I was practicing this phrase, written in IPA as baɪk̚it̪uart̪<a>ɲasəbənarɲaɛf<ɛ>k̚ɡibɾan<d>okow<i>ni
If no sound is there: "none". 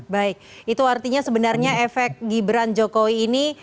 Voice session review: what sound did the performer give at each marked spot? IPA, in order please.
i, ɛ, d͡ʒ, iː

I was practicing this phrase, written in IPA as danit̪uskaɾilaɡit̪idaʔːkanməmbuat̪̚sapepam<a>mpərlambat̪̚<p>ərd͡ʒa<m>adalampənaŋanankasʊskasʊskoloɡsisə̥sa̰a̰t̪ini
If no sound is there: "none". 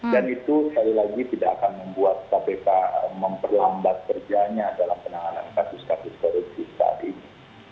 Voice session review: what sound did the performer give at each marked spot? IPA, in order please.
ə, k, ɲ

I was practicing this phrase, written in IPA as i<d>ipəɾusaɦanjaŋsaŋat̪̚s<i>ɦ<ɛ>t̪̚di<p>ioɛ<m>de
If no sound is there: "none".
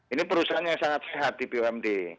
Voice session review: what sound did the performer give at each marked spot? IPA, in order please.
n, e, a, p, m

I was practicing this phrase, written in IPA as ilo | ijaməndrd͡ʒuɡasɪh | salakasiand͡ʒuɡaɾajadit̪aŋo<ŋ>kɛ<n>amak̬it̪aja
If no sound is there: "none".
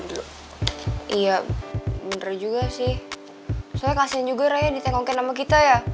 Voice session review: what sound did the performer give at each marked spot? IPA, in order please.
ŋ, n

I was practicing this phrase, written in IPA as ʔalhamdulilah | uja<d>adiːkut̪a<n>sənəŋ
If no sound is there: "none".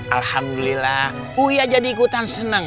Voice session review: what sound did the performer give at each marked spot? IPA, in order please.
d͡ʒ, n

